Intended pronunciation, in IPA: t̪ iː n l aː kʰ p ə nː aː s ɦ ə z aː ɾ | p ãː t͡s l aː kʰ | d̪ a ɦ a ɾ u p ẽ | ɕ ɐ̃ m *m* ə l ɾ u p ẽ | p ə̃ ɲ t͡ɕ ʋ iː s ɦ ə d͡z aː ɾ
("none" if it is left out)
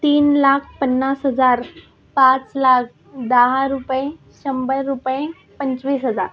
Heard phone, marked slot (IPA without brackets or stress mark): b